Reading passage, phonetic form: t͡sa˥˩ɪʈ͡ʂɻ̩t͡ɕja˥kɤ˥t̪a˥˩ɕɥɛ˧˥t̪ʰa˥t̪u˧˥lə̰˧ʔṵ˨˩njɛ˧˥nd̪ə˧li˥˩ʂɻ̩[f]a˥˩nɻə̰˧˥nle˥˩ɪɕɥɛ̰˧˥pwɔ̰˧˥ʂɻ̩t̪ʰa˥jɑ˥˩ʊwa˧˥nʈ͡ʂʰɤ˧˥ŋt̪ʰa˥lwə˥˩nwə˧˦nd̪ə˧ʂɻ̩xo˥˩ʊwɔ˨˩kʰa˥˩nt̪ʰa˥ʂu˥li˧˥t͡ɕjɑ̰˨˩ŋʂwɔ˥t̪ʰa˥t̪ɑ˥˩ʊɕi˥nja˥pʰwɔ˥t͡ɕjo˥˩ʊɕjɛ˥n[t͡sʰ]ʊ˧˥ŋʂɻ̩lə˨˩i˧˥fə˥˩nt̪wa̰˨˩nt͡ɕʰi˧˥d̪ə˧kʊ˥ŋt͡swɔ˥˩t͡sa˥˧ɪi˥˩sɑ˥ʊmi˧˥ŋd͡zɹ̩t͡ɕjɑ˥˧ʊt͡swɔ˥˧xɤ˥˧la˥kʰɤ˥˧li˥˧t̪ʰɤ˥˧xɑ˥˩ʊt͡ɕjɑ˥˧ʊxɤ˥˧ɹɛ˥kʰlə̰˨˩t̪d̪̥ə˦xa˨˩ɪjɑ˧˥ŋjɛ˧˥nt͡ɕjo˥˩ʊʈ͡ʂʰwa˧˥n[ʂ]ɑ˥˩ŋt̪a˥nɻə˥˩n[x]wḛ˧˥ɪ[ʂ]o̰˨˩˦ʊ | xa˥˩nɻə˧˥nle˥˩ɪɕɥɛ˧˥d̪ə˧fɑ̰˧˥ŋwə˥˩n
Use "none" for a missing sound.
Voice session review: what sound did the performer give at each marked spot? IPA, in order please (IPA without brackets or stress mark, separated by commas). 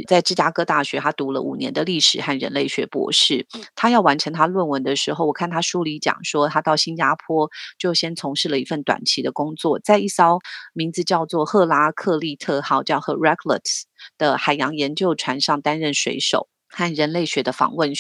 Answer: x, t͡sʰ, ʂ, ʂ, ʂ